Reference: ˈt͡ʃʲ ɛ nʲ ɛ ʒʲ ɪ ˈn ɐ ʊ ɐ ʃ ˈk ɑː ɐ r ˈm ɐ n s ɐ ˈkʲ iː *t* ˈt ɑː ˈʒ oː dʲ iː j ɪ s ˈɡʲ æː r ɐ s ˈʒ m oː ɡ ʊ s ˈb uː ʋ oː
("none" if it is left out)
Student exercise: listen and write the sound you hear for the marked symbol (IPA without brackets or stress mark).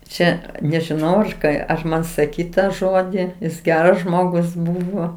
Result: t